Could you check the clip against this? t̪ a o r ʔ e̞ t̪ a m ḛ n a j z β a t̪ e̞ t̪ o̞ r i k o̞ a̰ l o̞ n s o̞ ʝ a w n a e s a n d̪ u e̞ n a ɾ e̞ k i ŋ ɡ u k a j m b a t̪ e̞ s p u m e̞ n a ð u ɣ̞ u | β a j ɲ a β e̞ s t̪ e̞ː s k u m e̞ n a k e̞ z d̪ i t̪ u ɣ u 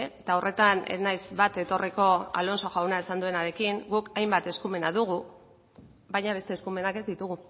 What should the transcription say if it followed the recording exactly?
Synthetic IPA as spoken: t̪ a o r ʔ e̞ t̪ a n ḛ n a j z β a t̪ e̞ t̪ o̞ r i k o̞ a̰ l o̞ n s o̞ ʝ a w n a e s a n d̪ u e̞ n a ɾ e̞ k i ŋ ɡ u k a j m b a t̪ e̞ s k u m e̞ n a ð u ɣ̞ u | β a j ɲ a β e̞ s t̪ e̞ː s k u m e̞ n a k e̞ z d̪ i t̪ u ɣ u

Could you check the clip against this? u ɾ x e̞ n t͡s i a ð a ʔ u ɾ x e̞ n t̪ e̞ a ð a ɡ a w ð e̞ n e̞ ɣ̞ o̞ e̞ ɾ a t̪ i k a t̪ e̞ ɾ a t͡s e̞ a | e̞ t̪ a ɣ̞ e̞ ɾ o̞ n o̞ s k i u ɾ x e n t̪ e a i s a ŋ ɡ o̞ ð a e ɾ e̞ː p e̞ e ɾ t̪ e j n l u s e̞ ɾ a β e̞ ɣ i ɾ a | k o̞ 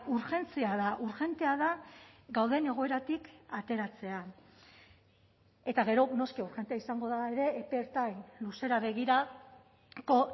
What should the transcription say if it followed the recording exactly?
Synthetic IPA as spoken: u ɾ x e̞ n t͡s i a ð a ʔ u ɾ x e̞ n t̪ e̞ a ð a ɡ a w ð e̞ n e̞ ɣ̞ o̞ e̞ ɾ a t̪ i k a t̪ e̞ ɾ a t͡s e̞ a | e̞ t̪ a ɣ̞ e̞ ɾ o̞ n o̞ s k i u ɾ x e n t̪ e a i s a ŋ ɡ o̞ ð a e ɾ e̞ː p e̞ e ɾ t̪ a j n l u s e̞ ɾ a β e̞ ɣ i ɾ a | k o̞

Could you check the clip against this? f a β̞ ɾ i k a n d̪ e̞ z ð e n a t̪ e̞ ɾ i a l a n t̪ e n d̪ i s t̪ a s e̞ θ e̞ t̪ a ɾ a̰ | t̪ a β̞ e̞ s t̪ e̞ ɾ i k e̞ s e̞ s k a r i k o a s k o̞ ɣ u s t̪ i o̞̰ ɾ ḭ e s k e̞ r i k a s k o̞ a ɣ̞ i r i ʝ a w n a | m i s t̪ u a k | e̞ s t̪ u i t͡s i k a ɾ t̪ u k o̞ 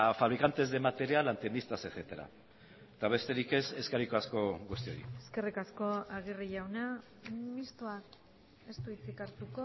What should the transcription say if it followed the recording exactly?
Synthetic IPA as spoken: f a β̞ ɾ i k a n t̪ e̞ z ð e m a t̪ e̞ ɾ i a l a n t̪ e n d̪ i s t̪ a s e̞ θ e̞ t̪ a ɾ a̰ | t̪ a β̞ e̞ s t̪ e̞ ɾ i k e̞ s e̞ s k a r i k o a s k o̞ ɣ u s t̪ i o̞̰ ɾ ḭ e s k e̞ r i k a s k o̞ a ɣ̞ i r i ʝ a w n a | m i s t̪ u a k | e̞ s t̪ u i t͡s i k a ɾ t̪ u k o̞

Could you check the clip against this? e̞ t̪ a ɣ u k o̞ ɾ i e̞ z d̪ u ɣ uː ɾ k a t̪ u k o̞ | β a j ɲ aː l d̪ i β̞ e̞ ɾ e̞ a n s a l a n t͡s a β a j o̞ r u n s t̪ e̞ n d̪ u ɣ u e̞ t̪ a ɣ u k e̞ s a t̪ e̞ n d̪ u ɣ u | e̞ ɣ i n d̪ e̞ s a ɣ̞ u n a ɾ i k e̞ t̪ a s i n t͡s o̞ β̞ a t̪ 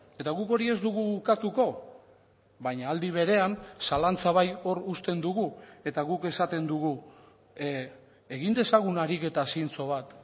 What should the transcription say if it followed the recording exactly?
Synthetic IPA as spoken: e̞ t̪ a ɣ u k o̞ ɾ i e̞ z d̪ u ɣ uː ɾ k a t̪ u k o̞ | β a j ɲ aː l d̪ i β̞ e̞ ɾ e̞ a n s a l a n t͡s a β a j o̞ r u s t̪ e̞ n d̪ u ɣ u e̞ t̪ a ɣ u k e̞ s a t̪ e̞ n d̪ u ɣ u | e̞ ɣ i n d̪ e̞ s a ɣ̞ u n a ɾ i k e̞ t̪ a s i n t͡s o̞ β̞ a t̪

